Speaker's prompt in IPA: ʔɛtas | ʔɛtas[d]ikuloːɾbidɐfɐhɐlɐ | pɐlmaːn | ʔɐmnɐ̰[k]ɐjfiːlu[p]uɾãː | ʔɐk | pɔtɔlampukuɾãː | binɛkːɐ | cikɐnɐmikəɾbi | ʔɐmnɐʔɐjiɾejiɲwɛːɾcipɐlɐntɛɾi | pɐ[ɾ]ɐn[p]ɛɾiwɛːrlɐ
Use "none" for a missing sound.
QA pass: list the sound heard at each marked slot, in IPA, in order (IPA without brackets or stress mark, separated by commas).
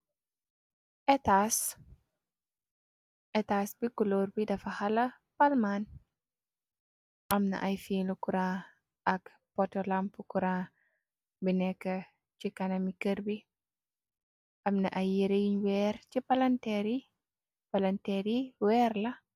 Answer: b, ʔ, k, l, t